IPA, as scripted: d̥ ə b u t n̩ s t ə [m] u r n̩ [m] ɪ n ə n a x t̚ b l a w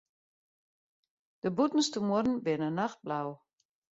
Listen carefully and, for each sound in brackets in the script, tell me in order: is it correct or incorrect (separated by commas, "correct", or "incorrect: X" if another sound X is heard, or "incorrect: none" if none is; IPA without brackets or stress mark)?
correct, incorrect: b